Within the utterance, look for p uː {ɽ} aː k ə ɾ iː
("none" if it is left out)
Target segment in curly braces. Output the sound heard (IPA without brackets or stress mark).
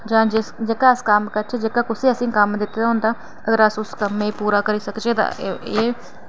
ɾ